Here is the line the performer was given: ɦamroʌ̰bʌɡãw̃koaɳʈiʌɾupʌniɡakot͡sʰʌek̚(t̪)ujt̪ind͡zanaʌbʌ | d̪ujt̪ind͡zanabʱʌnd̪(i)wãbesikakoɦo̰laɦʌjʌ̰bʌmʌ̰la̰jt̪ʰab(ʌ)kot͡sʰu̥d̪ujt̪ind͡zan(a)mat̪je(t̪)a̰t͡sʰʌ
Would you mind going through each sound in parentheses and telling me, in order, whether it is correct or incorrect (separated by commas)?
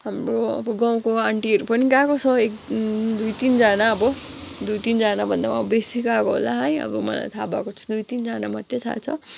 incorrect, incorrect, incorrect, correct, incorrect